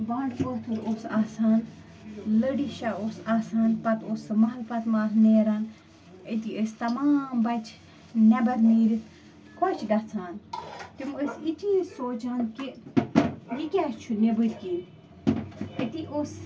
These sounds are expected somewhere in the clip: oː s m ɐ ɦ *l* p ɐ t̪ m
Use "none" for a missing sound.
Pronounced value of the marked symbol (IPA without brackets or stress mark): l